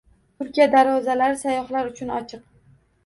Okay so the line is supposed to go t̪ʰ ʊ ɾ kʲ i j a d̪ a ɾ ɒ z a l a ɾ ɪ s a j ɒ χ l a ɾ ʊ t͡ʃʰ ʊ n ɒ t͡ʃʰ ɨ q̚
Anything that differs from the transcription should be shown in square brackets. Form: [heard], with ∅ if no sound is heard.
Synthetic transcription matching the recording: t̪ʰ ʊ ɾ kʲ i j a d̪ a ɾ ɒ z a l a ɾ ɪ s a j ɒ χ l a ɾ ʊ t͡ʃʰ ʊ n ɒ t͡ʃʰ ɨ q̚